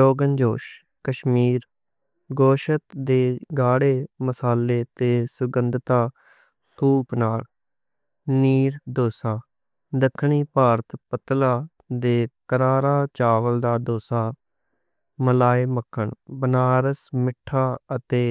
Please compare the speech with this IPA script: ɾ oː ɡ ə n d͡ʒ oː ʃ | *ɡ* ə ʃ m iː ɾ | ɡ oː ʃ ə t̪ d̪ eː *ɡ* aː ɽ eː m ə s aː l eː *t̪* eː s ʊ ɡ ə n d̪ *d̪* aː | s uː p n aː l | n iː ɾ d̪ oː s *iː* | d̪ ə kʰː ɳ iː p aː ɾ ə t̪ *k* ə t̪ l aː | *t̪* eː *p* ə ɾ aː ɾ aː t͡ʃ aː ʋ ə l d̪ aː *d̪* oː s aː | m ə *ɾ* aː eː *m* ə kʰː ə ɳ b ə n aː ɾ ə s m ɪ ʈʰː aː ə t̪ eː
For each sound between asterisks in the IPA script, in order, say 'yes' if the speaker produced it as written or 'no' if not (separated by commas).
no, yes, yes, no, no, no, no, no, yes, no, yes